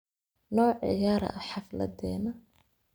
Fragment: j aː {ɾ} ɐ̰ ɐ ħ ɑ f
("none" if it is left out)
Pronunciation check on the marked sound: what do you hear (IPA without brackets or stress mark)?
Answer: ɾ